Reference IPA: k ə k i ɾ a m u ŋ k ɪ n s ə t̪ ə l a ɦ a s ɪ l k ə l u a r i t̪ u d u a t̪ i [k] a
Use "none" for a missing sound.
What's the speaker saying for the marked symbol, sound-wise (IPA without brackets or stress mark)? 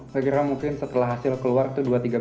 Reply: ɡ